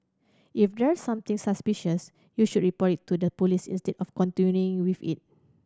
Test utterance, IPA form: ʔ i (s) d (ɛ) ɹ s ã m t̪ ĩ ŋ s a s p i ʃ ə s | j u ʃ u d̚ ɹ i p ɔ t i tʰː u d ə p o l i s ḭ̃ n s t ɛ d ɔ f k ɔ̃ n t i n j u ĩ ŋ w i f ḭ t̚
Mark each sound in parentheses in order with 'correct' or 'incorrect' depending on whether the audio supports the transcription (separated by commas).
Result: incorrect, correct